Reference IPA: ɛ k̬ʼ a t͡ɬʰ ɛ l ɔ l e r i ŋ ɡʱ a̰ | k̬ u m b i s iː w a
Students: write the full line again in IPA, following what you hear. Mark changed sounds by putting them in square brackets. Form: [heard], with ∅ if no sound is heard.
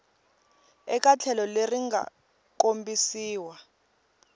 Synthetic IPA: ɛ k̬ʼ a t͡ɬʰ ɛ l ɔ l e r i ŋ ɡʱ a̰ | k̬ [o] m b i s iː w a

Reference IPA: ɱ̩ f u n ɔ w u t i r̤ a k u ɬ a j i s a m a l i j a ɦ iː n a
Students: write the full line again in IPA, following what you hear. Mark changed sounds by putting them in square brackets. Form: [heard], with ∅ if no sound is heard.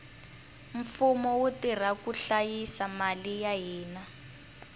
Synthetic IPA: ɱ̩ f u [m] ɔ w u t i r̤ a k u ɬ a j i s a m a l i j a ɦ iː n a

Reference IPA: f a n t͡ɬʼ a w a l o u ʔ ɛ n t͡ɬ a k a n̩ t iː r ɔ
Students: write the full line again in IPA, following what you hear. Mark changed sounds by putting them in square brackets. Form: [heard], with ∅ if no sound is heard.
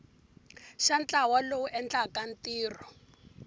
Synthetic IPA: [ʃ] a n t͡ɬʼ a w a l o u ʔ ɛ n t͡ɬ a k a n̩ t iː r ɔ

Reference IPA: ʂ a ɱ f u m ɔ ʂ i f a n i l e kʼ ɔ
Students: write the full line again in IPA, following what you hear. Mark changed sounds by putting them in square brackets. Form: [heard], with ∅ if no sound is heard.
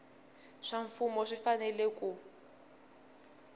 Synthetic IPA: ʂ a ɱ f u m ɔ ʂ i f a n [ɛ] l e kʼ [u]

